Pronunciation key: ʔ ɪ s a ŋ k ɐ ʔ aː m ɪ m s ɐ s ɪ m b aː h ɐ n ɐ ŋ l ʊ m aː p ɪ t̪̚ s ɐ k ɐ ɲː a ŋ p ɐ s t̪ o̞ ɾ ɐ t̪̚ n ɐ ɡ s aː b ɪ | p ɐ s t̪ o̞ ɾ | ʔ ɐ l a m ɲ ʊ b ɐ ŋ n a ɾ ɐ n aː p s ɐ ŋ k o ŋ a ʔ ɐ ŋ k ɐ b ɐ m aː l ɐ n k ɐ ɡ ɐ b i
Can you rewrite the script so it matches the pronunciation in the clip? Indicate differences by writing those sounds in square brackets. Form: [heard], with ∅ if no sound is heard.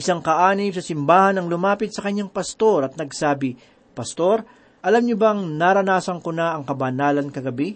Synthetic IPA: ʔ ɪ s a ŋ k ɐ ʔ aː [n] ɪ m s ɐ s ɪ m b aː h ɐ n ɐ ŋ l ʊ m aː p ɪ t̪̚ s ɐ k ɐ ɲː a ŋ p ɐ s t̪ o̞ ɾ ɐ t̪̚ n ɐ ɡ s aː b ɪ | p ɐ s t̪ o̞ ɾ | ʔ ɐ l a m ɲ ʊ b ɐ ŋ n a ɾ ɐ n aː [∅] s ɐ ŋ k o [n] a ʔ ɐ ŋ k ɐ b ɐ [n] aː l ɐ n k ɐ ɡ ɐ b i